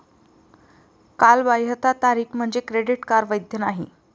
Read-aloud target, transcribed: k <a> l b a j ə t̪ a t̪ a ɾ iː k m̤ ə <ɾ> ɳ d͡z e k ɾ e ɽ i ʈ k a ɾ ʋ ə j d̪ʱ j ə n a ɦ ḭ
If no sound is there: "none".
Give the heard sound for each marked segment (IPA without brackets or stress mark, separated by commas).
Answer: a, none